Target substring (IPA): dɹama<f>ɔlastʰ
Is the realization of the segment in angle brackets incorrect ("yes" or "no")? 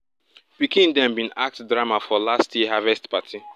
no